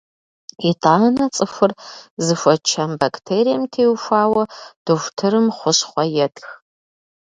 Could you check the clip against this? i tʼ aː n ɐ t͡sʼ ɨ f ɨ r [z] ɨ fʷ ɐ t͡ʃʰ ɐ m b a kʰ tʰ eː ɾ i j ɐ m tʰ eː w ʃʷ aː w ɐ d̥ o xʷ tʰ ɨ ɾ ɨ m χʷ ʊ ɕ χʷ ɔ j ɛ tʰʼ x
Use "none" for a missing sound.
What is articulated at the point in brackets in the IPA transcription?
z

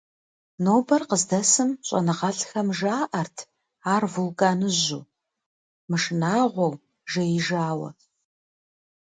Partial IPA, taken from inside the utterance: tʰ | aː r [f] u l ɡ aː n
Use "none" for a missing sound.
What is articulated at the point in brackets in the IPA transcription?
v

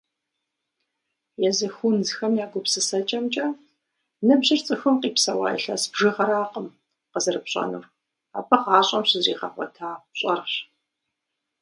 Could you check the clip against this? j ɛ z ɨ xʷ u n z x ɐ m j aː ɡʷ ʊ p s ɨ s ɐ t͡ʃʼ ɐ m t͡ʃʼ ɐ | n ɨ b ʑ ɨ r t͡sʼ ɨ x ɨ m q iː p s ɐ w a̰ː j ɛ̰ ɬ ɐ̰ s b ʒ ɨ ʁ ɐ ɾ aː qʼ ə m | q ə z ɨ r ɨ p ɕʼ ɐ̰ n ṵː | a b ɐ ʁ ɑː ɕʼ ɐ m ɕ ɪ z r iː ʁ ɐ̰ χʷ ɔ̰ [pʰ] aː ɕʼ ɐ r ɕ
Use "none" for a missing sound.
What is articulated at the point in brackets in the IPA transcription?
tʰ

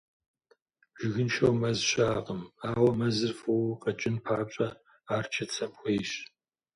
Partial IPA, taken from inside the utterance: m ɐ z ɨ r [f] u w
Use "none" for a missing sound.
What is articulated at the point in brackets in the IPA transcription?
f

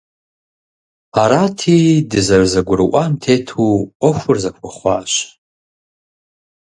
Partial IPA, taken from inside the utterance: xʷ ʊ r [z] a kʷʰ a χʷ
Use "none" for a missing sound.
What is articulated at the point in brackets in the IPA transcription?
z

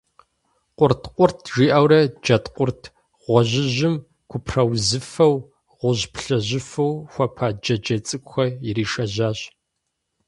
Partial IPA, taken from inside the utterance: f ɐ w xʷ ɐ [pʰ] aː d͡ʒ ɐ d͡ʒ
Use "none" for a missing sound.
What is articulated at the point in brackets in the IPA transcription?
pʰ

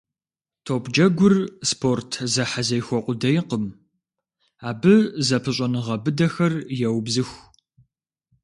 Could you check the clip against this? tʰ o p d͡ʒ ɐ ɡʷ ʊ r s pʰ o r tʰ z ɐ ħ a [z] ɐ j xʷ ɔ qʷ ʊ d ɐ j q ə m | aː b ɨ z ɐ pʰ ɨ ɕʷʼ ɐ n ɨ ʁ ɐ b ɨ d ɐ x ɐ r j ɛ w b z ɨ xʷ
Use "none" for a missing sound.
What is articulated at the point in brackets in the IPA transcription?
z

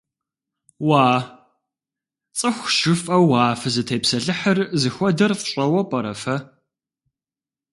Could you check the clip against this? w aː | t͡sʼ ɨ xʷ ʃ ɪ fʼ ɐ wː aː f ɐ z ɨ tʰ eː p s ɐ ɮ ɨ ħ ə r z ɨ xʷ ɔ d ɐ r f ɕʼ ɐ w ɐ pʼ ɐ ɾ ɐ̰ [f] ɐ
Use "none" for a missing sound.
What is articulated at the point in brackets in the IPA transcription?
f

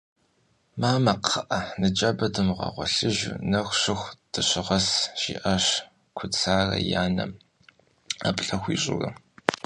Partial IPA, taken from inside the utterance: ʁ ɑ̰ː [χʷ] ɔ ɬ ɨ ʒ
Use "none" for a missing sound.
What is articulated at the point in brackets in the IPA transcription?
ʁʷ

